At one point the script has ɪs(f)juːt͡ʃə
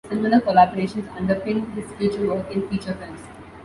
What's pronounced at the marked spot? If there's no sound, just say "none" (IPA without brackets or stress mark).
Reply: f